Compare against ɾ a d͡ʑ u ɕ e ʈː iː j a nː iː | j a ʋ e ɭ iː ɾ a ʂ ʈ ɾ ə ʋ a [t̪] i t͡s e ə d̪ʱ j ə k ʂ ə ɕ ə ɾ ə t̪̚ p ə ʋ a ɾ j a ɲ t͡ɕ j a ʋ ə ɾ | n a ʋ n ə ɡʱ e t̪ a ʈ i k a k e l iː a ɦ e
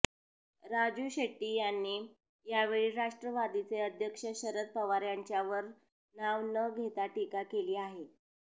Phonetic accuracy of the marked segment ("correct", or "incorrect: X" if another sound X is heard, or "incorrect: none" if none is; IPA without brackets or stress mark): incorrect: d̪